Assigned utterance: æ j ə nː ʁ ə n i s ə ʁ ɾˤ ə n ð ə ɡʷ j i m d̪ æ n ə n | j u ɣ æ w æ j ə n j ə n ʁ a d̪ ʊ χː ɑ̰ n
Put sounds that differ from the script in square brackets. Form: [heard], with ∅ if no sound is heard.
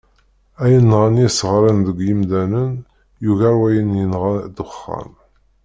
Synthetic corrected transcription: æ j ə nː ʁ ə n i s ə ʁ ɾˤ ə n ð ə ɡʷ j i m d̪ æ n ə n | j u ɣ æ w æ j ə n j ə n ʁ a d̪ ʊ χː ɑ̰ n